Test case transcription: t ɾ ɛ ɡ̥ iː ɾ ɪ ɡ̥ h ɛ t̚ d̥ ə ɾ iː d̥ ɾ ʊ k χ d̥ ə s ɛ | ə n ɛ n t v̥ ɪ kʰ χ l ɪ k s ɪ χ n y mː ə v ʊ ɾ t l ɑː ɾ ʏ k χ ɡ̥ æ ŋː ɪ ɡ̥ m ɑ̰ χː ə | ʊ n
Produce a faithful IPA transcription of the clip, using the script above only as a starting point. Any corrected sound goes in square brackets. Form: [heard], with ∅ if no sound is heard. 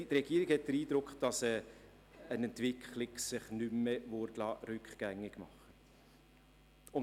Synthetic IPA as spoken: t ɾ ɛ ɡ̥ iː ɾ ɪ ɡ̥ h ɛ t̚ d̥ ə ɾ iː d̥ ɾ ʊ k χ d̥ [ɑ] s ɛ | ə n ɛ n t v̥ ɪ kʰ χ l ɪ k s ɪ χ n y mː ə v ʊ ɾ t l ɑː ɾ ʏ k χ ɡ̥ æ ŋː ɪ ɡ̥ m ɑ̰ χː ə | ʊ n